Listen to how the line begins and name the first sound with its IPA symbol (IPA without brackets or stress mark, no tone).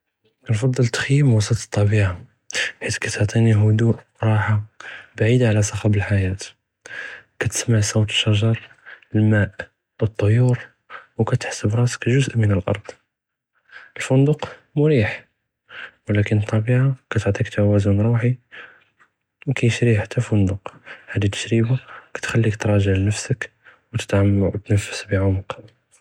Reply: n